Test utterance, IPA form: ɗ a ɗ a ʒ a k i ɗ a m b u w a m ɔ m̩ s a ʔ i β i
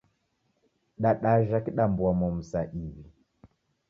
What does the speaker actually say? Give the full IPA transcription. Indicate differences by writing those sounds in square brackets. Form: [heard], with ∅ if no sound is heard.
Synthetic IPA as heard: ɗ a ɗ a ʒ a k i ɗ a m b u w a m ɔ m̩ s a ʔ i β i